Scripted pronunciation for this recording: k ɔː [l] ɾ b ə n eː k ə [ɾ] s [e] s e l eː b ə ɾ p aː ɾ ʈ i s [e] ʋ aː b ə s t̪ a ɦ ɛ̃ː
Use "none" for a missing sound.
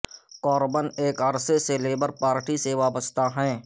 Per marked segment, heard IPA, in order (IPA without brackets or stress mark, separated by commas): none, ɾ, e, e